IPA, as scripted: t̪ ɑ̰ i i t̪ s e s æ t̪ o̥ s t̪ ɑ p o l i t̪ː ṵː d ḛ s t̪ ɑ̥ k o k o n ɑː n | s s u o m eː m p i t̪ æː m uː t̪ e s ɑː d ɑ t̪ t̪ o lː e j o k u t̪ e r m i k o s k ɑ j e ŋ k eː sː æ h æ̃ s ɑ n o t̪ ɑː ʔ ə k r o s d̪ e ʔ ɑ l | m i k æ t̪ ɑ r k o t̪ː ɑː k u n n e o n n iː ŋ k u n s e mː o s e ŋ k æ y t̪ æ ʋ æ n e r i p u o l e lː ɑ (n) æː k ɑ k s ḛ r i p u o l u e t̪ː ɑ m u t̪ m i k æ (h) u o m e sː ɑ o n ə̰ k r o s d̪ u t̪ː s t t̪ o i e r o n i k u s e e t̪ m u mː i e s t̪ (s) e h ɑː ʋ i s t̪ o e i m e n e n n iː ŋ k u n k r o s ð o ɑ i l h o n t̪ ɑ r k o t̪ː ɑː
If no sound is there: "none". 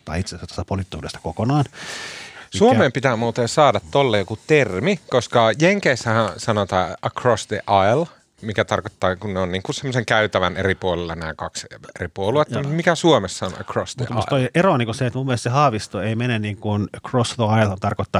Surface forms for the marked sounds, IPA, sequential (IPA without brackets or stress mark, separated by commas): n, s, s